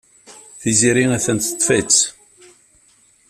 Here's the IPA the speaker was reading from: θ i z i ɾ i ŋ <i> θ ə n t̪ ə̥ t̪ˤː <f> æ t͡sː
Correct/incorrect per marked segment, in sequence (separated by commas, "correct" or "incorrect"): incorrect, correct